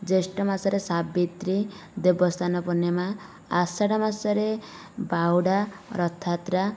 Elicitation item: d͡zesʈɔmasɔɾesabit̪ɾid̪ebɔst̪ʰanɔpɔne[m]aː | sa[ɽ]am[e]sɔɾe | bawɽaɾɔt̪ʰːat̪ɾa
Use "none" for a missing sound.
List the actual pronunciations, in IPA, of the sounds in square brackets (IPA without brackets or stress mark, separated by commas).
m, ɽ, a